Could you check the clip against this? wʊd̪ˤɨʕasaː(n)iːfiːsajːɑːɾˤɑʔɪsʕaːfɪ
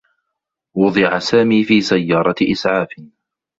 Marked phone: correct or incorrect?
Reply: incorrect: m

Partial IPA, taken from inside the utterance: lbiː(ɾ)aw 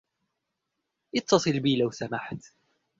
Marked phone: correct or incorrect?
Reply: incorrect: l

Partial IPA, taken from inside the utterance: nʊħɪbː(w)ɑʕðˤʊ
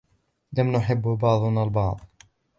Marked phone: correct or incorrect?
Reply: incorrect: b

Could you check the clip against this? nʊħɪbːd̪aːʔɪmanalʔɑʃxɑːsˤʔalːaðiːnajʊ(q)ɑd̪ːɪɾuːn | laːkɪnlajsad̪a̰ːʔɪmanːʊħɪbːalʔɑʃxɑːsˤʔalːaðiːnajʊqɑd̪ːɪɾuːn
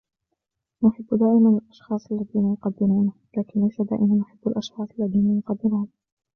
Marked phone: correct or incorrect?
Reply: correct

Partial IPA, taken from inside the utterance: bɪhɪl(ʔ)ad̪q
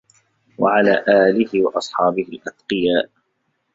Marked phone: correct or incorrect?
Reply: correct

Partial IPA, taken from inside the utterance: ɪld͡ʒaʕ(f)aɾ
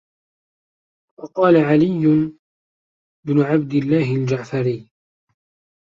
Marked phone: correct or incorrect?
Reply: correct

